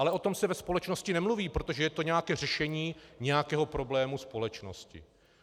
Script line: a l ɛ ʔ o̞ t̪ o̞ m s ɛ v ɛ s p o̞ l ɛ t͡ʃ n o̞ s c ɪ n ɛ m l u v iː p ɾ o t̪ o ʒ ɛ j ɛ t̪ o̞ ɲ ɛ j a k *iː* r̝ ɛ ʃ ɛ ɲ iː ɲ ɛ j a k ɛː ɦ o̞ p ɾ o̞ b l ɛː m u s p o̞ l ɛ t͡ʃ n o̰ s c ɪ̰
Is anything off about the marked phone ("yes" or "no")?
yes